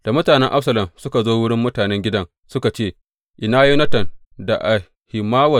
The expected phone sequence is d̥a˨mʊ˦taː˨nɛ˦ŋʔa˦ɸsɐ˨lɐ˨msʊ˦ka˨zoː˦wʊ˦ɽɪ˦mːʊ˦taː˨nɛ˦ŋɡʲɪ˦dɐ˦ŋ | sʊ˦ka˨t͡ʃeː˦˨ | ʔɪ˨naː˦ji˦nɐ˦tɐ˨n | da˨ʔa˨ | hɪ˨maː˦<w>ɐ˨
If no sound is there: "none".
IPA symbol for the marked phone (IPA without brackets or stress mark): w